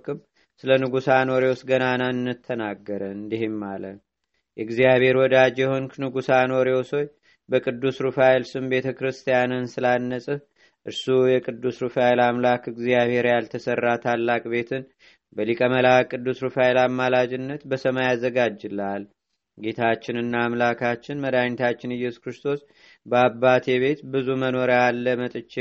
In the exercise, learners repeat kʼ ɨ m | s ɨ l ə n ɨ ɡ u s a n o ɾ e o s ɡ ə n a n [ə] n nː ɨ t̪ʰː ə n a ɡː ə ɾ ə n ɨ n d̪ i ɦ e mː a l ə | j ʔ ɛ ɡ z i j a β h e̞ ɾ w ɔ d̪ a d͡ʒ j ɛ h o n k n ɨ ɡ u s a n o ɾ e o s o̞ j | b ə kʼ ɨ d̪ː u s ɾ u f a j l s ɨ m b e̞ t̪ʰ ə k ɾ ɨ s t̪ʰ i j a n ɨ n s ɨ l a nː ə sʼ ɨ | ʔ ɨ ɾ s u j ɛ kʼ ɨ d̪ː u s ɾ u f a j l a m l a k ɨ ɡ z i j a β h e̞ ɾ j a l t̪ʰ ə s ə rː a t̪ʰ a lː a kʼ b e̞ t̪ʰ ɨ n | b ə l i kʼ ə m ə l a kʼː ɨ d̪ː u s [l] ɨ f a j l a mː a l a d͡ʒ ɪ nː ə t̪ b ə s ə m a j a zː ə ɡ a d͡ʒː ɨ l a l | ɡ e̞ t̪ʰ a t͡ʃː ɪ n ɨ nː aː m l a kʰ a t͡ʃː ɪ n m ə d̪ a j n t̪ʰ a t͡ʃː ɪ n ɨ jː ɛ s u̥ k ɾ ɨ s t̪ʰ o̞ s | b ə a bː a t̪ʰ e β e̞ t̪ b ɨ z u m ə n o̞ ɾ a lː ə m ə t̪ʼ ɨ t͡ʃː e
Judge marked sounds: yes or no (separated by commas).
no, no